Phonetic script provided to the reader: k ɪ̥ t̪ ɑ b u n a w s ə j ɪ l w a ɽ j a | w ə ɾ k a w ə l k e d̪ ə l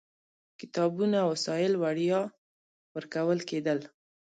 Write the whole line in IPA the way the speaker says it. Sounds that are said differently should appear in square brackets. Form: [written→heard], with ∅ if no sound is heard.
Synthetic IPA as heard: k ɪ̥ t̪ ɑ b u n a w s [ə→ɑ] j ɪ l w a ɽ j [a→ɑ] | w ə ɾ k a w ə l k e d̪ ə l